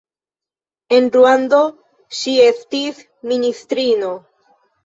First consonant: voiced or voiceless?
voiced